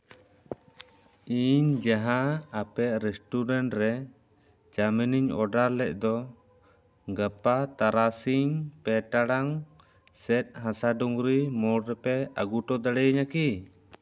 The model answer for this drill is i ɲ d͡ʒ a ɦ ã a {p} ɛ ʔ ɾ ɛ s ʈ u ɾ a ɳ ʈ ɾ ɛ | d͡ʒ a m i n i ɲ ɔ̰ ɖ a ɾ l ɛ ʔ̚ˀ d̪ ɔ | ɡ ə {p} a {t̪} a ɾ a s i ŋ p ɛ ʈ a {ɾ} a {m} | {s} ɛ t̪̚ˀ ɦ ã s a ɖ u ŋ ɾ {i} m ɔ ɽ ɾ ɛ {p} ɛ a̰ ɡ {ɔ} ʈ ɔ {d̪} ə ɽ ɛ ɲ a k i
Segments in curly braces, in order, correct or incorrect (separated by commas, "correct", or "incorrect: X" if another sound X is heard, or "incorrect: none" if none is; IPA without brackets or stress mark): correct, correct, correct, incorrect: ɽ, incorrect: ŋ, correct, correct, correct, incorrect: u, correct